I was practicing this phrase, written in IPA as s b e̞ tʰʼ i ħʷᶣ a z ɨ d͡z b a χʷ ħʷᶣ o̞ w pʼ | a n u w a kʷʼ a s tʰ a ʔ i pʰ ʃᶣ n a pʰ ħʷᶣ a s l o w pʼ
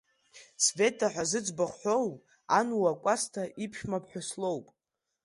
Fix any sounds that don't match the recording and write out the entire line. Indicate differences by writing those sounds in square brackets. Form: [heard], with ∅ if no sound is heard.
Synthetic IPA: s [v] e̞ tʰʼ [a] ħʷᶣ a z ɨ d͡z b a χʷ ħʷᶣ o̞ w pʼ | a n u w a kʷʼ a s tʰ a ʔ i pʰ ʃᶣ [m] a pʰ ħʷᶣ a s l o w pʼ